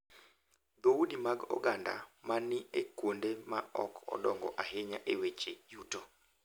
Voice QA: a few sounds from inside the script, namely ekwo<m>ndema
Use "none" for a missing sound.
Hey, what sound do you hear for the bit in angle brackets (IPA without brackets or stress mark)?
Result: none